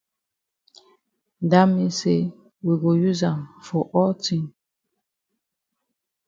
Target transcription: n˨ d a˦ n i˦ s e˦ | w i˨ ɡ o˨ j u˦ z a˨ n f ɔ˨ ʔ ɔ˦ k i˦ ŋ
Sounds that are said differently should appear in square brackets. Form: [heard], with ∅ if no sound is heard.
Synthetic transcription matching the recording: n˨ d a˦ [m] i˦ s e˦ | w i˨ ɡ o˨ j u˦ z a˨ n f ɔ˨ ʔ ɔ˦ [t] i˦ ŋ